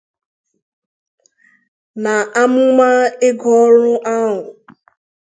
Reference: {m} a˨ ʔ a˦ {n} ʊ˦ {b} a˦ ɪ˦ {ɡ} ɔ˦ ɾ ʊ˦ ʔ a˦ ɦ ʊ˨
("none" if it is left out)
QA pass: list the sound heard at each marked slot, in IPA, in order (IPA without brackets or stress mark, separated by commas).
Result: n, m, m, ɡ